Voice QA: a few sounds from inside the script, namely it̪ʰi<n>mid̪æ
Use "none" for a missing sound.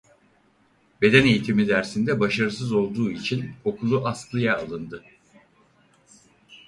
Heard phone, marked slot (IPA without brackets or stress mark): none